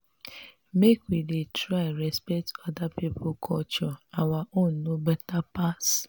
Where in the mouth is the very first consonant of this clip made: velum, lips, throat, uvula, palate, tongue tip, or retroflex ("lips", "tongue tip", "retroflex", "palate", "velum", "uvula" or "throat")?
lips